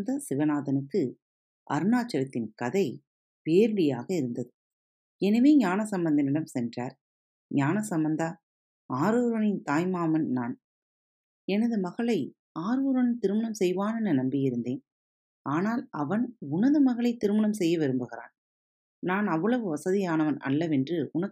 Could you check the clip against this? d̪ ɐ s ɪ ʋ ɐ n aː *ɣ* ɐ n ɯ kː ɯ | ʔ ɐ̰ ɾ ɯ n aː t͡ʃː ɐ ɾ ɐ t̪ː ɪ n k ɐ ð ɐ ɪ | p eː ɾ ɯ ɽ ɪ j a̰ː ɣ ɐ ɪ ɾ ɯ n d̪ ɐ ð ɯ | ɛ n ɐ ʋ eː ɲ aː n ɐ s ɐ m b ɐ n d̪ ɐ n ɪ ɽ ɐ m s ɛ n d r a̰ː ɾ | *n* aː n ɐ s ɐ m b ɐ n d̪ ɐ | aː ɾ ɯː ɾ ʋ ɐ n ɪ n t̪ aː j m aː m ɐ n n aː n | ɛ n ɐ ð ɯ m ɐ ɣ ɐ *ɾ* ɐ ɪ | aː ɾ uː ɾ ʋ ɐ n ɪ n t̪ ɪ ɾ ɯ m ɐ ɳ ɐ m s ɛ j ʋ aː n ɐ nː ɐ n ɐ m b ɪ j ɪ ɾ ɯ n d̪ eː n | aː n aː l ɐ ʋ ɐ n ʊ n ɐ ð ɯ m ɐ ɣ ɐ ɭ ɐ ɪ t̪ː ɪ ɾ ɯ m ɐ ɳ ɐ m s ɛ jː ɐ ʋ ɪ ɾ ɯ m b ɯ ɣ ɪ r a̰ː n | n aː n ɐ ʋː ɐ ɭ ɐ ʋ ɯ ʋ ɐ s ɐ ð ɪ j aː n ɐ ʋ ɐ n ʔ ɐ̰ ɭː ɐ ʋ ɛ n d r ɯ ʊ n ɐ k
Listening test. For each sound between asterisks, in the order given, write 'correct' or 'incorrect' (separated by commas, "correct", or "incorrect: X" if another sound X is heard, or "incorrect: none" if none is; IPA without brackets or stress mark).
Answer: incorrect: ð, incorrect: ɲ, incorrect: ɭ